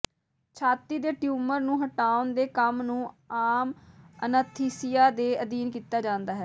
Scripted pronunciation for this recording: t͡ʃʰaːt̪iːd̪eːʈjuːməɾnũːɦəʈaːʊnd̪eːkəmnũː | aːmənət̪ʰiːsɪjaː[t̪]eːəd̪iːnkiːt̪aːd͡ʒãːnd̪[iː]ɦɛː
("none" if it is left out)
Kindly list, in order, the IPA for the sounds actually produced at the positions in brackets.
d̪, aː

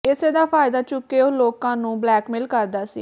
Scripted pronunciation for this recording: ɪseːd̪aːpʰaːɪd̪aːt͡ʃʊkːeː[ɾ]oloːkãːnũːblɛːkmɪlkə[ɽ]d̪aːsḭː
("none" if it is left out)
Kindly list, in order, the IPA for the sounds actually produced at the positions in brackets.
none, ɾ

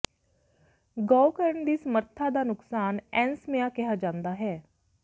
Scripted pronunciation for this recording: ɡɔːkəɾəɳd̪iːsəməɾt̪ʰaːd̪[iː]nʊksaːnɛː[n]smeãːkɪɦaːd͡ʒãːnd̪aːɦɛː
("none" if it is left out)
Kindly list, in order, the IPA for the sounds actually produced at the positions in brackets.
aː, n

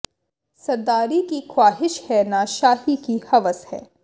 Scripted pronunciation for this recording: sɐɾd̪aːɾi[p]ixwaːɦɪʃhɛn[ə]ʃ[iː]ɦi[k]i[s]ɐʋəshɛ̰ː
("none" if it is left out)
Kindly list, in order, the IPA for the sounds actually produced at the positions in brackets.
k, a, aː, k, h

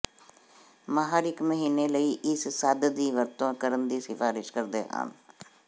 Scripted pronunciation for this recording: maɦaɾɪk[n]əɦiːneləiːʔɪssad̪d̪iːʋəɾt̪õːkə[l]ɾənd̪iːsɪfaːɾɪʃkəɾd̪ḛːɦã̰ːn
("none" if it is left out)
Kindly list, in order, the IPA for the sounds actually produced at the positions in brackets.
m, none

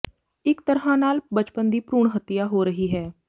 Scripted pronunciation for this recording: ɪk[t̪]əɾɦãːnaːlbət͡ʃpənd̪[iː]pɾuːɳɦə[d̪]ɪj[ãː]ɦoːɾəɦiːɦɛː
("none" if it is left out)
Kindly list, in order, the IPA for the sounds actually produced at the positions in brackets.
t̪, iː, t̪, aː

